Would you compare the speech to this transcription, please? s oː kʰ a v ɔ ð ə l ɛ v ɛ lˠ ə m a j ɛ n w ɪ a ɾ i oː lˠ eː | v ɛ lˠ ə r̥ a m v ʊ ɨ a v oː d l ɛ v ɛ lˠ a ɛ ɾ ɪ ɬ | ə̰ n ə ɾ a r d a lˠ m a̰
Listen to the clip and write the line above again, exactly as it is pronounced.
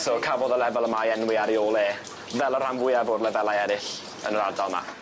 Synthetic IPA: s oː kʰ a v ɔ ð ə l ɛ v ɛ lˠ ə m a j ɛ n w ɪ a ɾ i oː lˠ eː | v ɛ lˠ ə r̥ a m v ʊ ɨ a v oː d l ɛ v ɛ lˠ a ɛ ɾ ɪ ɬ | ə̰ n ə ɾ a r d a lˠ m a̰